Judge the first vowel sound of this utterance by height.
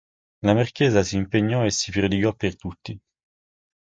low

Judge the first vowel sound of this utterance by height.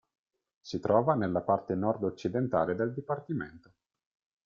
high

